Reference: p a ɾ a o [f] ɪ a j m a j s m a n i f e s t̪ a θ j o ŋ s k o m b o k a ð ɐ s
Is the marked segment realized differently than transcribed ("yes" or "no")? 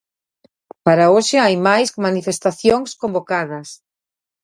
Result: yes